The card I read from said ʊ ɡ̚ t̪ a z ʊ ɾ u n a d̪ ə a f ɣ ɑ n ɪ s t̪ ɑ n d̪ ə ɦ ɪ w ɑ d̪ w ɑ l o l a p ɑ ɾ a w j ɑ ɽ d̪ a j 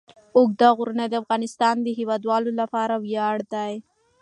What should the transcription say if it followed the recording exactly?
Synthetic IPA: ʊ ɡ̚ d̪ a ɣ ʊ ɾ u n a d̪ ə a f ɣ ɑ n ɪ s t̪ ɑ n d̪ ə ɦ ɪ w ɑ d̪ w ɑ l o l a p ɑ ɾ a w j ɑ ɽ d̪ a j